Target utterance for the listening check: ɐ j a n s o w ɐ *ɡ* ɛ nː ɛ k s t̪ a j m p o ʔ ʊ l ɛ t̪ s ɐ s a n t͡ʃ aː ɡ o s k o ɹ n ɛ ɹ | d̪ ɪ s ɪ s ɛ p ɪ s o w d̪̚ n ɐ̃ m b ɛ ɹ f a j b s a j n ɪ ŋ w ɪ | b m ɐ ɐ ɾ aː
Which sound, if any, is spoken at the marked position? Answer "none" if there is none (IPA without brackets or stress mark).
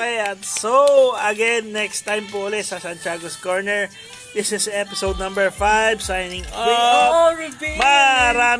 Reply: ɡ